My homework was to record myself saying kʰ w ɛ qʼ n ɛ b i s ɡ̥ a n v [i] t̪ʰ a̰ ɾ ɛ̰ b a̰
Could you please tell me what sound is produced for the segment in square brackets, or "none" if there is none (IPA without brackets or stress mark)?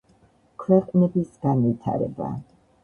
i